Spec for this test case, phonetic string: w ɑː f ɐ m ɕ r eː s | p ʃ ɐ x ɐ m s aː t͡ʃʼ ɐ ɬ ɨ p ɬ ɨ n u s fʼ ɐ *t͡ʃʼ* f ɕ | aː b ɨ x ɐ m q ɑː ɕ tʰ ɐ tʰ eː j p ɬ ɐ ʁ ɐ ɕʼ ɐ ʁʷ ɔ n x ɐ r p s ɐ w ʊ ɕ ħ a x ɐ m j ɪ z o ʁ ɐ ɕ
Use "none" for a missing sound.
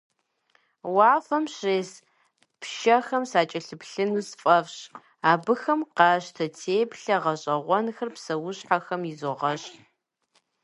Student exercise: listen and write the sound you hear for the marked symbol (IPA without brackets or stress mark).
none